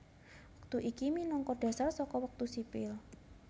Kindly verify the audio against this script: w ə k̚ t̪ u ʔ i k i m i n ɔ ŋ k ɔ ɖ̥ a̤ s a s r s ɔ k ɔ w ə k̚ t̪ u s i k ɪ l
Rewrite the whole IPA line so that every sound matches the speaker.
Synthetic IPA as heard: w ə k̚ t̪ u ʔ i k i m i n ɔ ŋ k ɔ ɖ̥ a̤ s a r s ɔ k ɔ w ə k̚ t̪ u s i p ɪ l